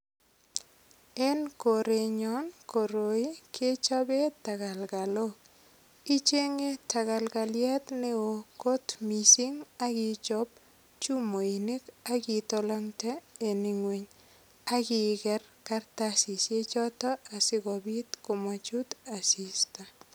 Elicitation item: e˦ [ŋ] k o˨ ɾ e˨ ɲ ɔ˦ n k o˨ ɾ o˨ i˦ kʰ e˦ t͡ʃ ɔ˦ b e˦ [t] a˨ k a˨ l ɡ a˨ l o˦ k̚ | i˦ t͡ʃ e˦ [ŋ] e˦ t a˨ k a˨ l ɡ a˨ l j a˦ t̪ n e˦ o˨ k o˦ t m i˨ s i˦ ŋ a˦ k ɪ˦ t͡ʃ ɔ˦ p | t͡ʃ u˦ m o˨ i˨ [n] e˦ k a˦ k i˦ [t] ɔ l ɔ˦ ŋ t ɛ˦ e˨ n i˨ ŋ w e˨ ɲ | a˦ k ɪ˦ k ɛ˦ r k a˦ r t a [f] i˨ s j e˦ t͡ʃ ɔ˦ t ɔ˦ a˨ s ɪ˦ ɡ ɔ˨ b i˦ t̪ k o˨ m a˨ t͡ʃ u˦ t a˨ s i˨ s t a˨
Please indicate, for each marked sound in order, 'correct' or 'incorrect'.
incorrect: n, correct, correct, correct, correct, incorrect: s

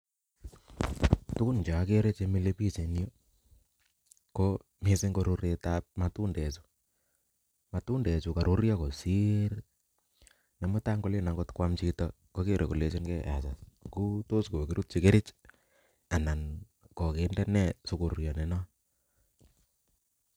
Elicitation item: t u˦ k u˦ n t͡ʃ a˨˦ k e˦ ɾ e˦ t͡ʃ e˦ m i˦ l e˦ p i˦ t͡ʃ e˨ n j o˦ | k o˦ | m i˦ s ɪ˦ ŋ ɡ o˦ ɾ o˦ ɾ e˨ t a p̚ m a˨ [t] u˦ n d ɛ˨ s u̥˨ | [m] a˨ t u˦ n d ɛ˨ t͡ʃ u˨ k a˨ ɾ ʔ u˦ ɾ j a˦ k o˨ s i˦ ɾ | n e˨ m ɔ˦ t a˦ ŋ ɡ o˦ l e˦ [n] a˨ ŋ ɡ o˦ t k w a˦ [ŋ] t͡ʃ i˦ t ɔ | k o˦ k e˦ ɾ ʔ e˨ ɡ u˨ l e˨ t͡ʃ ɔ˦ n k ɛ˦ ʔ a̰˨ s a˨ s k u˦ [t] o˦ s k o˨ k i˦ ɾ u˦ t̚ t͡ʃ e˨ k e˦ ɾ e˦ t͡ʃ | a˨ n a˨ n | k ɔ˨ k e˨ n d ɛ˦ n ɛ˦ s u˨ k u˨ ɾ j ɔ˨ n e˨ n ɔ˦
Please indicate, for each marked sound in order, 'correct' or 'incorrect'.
correct, correct, correct, incorrect: m, correct

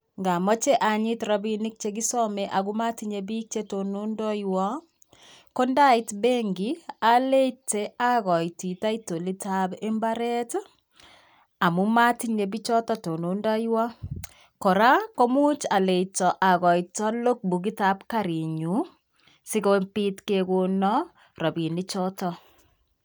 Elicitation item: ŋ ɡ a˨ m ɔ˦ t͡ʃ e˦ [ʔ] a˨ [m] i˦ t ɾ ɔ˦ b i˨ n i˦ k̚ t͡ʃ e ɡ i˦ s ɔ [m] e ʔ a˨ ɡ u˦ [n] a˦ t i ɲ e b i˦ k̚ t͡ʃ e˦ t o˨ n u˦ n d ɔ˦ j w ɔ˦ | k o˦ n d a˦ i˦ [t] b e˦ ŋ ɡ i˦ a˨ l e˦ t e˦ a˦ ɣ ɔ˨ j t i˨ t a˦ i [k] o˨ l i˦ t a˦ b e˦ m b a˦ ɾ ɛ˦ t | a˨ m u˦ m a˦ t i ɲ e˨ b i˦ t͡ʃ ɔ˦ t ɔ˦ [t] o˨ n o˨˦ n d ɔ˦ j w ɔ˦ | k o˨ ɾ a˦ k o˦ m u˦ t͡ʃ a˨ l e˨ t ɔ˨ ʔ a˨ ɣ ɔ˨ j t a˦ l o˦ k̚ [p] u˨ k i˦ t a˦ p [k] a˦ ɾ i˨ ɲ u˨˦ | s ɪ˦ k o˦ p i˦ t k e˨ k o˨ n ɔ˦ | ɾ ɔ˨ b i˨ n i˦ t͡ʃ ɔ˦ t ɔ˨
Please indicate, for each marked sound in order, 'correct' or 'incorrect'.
correct, incorrect: ɲ, correct, incorrect: m, correct, incorrect: t, correct, incorrect: b, correct

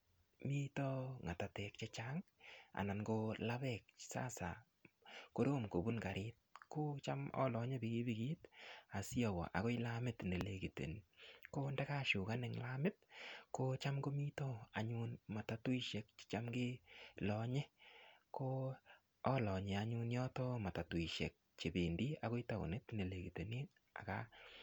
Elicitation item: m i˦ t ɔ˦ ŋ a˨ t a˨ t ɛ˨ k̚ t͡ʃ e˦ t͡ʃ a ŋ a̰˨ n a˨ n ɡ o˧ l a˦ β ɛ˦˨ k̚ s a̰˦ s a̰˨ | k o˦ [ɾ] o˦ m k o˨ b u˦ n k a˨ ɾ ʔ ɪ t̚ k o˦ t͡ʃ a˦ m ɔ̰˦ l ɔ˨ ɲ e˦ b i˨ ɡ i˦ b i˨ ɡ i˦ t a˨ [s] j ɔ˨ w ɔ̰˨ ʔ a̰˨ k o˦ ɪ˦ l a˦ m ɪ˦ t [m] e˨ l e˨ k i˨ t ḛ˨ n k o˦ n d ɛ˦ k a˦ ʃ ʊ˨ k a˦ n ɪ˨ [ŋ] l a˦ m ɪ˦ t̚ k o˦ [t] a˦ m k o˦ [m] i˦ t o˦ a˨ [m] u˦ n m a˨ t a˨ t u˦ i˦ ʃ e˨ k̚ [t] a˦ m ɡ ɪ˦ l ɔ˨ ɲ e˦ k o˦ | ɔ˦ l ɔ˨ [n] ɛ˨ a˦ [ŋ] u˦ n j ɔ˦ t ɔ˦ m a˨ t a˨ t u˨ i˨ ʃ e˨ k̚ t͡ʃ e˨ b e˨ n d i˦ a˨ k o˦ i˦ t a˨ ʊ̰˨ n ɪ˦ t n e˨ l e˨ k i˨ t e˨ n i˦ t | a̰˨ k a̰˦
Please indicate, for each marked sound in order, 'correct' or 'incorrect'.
correct, correct, incorrect: n, correct, incorrect: t͡ʃ, correct, incorrect: ɲ, incorrect: t͡ʃ, incorrect: ɲ, incorrect: ɲ

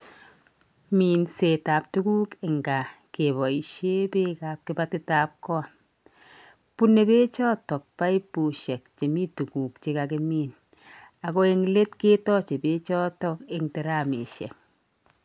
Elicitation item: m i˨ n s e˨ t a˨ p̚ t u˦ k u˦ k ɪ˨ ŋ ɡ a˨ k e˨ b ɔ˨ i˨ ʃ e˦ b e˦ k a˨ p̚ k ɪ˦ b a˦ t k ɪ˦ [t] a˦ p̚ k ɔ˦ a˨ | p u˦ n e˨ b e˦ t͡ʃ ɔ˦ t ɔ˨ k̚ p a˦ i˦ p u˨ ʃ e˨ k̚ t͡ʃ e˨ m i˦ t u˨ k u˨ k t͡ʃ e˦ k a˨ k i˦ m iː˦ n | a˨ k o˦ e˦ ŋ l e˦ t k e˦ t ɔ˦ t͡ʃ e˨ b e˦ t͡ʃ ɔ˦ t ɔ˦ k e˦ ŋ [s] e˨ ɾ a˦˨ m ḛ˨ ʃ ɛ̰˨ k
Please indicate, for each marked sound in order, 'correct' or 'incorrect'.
correct, incorrect: t

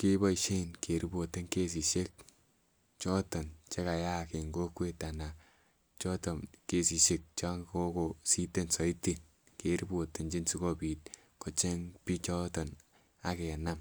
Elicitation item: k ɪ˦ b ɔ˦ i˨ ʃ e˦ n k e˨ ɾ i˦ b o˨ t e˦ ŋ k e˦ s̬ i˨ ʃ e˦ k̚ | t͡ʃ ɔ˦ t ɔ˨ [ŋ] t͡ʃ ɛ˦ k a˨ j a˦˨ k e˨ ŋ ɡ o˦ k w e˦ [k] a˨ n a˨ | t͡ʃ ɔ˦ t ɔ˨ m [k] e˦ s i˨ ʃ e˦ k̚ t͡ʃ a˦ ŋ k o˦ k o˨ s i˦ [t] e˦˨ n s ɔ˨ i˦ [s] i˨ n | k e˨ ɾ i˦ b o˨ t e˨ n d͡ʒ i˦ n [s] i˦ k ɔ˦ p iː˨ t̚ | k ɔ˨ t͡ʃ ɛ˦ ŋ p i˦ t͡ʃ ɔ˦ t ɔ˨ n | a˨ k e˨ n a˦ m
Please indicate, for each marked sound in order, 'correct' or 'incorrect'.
incorrect: n, incorrect: t, correct, correct, incorrect: t, correct

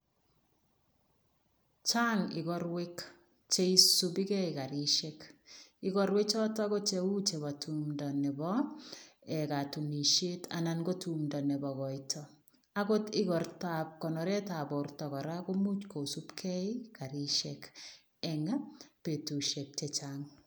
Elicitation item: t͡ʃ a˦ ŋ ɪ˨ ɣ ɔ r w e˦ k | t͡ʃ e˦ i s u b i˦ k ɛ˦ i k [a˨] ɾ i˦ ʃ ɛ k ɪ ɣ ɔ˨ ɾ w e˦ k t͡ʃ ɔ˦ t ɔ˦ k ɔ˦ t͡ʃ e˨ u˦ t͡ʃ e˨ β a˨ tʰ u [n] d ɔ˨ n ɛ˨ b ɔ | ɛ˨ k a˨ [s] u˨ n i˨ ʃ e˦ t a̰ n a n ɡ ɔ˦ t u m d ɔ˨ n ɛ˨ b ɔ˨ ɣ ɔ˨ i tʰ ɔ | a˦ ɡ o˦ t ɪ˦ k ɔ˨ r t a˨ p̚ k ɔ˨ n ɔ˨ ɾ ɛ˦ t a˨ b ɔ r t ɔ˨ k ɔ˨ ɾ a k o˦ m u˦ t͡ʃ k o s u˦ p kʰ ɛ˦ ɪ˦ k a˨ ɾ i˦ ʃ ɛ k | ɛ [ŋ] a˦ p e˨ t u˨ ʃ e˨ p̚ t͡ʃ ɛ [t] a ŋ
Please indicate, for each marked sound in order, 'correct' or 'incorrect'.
correct, incorrect: m, incorrect: t, correct, incorrect: t͡ʃ

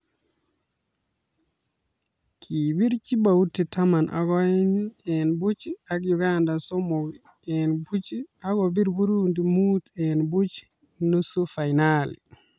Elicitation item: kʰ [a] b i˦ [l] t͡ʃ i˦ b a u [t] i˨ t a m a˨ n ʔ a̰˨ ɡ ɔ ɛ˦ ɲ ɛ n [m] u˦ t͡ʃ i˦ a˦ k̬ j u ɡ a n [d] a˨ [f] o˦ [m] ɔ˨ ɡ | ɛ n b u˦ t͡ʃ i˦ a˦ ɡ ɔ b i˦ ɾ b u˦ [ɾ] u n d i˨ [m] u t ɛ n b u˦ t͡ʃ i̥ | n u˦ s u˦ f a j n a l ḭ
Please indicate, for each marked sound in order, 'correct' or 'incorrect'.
incorrect: i, incorrect: ɾ, correct, incorrect: b, correct, incorrect: s, correct, correct, correct

